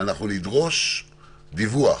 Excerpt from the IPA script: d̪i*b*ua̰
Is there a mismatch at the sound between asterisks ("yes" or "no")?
yes